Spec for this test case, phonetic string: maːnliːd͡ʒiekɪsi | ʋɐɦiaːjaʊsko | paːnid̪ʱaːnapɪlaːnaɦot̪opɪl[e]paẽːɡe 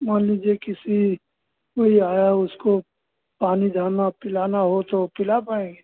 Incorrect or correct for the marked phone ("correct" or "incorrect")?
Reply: incorrect